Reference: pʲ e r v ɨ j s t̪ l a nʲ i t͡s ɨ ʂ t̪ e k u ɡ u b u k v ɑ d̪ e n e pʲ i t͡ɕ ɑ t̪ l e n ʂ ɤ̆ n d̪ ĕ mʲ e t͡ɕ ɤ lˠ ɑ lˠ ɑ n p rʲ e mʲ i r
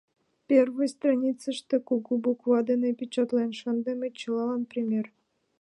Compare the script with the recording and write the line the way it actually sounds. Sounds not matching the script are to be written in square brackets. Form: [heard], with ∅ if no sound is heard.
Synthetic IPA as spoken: pʲ e r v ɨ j s t̪ [r] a nʲ i t͡s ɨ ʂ t̪ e k u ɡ u b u k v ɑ d̪ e n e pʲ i t͡ɕ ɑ t̪ l e n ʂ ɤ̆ n d̪ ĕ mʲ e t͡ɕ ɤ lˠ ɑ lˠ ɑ n p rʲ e mʲ [e] r